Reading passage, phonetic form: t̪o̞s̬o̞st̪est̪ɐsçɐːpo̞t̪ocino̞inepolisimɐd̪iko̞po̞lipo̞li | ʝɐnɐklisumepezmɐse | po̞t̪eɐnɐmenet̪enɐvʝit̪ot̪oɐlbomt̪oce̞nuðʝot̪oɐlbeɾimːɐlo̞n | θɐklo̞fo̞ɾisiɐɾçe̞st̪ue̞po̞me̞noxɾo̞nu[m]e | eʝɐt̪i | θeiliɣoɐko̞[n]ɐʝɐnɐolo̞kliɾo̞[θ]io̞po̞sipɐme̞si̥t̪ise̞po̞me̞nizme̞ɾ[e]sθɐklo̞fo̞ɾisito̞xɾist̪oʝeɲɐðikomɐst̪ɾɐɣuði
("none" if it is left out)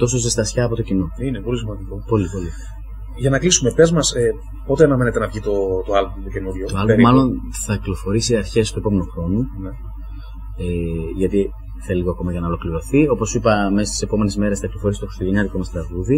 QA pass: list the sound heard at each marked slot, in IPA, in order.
n, m, θ, e

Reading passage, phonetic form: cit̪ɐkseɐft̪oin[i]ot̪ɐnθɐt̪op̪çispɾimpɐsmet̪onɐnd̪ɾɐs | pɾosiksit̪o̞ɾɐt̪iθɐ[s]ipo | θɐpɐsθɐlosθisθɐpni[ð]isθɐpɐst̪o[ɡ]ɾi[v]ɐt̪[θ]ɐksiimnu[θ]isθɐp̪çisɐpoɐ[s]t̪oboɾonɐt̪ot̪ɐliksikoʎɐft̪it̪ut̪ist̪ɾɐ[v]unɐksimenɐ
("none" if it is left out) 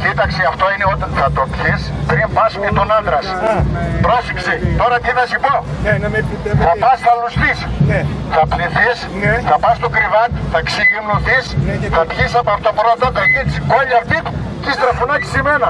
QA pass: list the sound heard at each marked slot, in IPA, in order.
e, s, θ, k, v, θ, θ, f, f

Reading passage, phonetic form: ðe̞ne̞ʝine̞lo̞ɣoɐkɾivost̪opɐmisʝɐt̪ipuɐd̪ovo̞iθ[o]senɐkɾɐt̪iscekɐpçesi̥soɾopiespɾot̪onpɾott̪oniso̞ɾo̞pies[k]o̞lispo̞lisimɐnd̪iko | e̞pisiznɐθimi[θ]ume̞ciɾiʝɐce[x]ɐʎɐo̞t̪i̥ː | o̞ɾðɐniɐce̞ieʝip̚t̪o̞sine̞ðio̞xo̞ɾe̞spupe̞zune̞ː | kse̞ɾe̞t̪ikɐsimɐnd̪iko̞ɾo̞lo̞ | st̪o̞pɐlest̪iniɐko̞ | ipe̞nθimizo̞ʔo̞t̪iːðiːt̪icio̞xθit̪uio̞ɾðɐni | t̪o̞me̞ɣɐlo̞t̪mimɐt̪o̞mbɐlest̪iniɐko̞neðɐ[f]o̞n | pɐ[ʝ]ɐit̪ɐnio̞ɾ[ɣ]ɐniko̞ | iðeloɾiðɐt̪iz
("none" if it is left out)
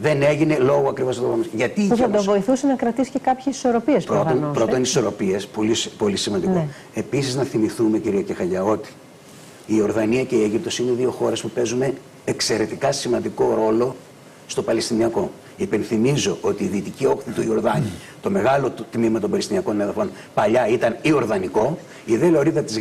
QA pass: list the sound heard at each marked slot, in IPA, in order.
u, p, θ, x, f, ʎ, ð

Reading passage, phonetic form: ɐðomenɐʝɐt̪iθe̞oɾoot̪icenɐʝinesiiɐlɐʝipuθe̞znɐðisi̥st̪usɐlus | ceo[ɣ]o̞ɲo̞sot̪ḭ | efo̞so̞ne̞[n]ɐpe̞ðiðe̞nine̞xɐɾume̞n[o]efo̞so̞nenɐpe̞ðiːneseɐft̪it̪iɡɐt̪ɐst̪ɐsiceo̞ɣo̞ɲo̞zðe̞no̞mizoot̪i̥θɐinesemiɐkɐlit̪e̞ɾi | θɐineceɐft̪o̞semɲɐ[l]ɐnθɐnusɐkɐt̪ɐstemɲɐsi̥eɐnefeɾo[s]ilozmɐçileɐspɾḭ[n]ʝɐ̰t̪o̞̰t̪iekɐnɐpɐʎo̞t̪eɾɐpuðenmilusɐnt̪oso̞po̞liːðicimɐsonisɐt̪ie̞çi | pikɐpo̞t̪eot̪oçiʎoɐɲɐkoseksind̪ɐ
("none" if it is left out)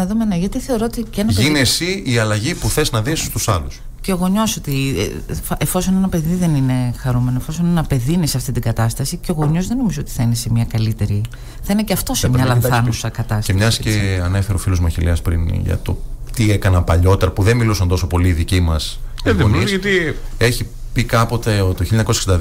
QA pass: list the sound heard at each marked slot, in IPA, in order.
ɣ, n, o, l, f, n

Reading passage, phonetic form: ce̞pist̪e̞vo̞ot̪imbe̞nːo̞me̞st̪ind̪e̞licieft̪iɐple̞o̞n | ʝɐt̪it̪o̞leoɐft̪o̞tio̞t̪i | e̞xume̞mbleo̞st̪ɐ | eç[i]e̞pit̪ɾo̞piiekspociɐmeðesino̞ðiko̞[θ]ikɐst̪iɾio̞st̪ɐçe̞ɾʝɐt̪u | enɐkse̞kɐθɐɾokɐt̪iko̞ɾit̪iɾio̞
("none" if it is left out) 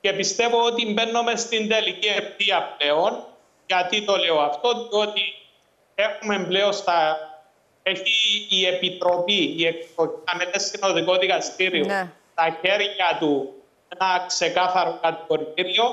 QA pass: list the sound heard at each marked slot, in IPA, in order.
iː, ð

